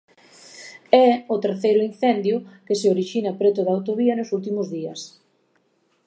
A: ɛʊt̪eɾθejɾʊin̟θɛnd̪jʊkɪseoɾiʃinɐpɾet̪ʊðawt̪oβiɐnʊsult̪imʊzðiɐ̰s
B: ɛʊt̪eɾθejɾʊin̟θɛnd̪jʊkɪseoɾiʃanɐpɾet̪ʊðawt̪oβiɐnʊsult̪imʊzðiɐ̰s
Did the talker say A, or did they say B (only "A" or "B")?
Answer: A